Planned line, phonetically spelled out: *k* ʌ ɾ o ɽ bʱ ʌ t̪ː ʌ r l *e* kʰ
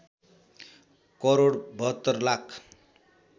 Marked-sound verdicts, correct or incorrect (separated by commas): correct, incorrect